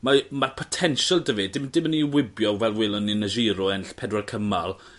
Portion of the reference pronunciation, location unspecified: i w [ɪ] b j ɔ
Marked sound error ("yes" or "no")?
no